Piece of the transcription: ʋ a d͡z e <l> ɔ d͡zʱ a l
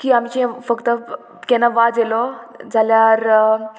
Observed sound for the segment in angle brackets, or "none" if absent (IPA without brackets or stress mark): l